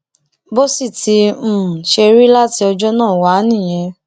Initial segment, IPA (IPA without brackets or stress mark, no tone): b